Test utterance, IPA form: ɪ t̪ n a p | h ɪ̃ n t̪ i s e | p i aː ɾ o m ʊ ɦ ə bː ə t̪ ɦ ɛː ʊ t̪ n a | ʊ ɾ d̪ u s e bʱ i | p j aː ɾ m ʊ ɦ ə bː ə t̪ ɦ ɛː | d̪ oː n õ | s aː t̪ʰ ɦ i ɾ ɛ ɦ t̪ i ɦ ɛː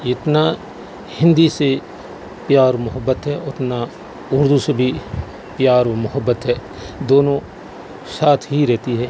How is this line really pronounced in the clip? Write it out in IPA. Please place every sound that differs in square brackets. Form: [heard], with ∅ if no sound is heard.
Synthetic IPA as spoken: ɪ t̪ n a [∅] | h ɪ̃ n [d̪] i s e | p [j] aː ɾ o m ʊ ɦ ə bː ə t̪ ɦ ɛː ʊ t̪ n a | ʊ ɾ d̪ u s e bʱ i | p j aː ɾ m ʊ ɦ ə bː ə t̪ ɦ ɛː | d̪ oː n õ | s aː t̪ʰ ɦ i ɾ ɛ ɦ t̪ i ɦ ɛː